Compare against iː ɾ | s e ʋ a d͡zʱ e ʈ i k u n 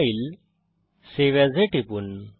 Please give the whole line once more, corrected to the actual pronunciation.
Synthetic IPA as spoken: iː l | s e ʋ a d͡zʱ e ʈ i p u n